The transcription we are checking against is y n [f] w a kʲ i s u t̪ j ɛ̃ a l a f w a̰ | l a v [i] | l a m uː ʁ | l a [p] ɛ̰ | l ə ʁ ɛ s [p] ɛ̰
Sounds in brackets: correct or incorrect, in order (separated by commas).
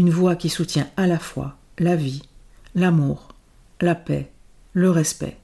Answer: incorrect, correct, correct, correct